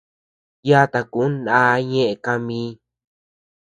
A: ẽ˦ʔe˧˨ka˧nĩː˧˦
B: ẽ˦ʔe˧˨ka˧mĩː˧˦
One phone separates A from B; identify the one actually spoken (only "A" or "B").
B